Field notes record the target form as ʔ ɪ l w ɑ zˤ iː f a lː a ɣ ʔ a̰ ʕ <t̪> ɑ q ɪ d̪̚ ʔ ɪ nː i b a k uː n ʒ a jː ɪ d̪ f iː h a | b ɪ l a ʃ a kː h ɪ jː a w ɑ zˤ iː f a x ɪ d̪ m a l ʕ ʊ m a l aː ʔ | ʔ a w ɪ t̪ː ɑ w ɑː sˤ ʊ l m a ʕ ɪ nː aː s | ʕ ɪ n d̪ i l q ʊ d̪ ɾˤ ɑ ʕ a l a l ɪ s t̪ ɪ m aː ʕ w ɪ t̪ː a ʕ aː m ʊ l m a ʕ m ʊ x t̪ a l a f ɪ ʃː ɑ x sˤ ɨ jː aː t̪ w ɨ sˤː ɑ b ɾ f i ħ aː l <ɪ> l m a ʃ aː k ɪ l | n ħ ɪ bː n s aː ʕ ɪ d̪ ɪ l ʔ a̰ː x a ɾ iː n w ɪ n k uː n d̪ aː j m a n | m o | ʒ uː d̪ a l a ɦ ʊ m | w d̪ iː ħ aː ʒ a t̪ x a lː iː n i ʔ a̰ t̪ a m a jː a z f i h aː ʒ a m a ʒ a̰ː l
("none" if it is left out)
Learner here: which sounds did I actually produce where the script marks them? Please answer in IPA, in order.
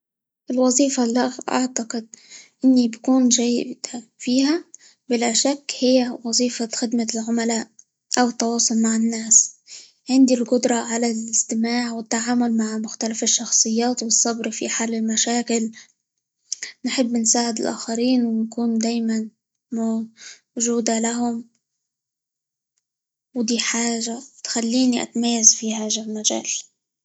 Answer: t̪, ɪ

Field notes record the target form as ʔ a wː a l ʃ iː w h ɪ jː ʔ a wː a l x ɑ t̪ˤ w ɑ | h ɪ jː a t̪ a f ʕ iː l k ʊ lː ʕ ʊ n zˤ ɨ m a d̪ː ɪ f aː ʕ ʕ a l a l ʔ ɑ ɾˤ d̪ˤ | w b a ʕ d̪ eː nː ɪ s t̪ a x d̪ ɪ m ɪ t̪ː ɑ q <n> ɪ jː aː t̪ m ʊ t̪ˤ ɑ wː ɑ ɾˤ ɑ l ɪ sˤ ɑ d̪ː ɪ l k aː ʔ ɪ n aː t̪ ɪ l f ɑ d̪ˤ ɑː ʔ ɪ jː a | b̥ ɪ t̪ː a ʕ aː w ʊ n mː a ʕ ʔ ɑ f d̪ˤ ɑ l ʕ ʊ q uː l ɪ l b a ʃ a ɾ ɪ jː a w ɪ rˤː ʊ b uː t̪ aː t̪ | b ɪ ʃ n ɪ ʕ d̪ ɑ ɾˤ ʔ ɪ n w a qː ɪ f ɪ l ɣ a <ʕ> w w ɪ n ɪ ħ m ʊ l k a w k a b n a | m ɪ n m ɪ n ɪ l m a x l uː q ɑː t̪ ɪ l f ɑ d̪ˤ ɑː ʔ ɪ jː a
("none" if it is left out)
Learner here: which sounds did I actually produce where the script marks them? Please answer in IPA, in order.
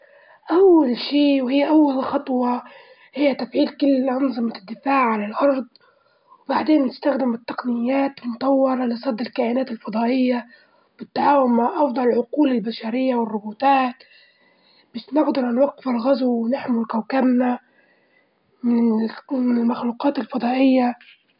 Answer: n, z

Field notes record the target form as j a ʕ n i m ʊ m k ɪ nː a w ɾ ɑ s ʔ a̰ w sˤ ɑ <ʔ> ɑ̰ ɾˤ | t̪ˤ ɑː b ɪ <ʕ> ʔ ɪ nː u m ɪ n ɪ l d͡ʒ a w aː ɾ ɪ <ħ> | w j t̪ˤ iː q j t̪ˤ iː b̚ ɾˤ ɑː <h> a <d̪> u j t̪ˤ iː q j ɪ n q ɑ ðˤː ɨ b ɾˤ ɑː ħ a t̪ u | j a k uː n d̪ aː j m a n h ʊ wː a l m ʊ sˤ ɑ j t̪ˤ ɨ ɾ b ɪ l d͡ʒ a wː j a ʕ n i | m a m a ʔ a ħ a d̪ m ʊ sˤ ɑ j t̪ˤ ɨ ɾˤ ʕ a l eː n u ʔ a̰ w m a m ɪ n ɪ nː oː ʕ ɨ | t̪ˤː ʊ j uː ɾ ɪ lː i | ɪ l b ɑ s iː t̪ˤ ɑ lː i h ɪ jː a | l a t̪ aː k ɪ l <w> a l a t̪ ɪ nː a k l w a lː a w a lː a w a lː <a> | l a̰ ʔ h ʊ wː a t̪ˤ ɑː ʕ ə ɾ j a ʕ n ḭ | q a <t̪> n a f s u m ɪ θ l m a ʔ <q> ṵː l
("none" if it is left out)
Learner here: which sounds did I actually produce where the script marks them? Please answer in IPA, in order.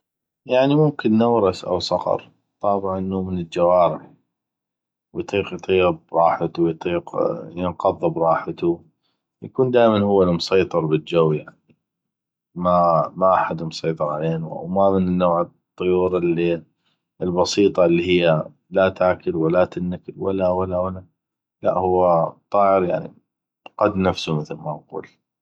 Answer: q, ʕ, ħ, ħ, t̪, w, a, d̪, q

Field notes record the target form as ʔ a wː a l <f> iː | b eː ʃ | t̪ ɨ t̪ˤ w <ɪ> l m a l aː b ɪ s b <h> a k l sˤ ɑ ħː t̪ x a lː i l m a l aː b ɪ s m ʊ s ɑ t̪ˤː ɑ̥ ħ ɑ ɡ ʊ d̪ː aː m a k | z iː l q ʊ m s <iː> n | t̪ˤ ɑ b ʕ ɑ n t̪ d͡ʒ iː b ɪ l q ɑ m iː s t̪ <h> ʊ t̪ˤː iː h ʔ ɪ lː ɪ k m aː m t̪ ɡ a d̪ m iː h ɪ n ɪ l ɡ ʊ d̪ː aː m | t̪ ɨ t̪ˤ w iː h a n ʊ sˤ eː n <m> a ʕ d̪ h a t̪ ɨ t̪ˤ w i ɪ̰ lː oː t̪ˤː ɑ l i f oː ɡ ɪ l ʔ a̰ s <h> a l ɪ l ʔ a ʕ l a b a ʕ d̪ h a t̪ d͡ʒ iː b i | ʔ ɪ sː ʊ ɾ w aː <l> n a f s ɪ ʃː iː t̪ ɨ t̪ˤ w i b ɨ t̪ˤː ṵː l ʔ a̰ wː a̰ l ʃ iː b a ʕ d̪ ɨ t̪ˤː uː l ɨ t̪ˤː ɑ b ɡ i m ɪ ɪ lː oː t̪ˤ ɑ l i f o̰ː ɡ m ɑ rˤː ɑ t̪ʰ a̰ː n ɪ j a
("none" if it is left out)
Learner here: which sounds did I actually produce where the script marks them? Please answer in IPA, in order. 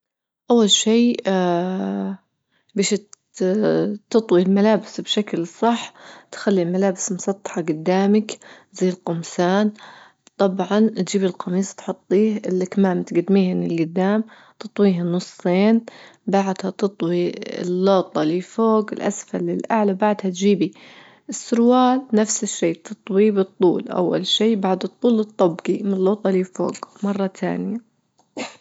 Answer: ʃ, i, ʃ, aː, ħ, b, f, l

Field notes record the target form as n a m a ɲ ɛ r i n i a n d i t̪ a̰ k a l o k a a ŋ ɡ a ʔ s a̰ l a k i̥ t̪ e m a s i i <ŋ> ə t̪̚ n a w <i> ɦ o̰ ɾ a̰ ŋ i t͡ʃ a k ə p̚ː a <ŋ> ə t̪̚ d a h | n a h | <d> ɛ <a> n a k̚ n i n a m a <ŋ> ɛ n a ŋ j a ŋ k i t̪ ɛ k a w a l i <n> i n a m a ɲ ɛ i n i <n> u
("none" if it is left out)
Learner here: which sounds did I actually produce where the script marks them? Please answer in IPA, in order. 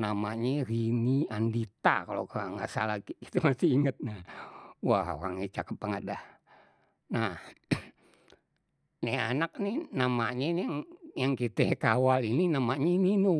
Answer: ŋ, a, ŋ, n, a, ɲ, n, n

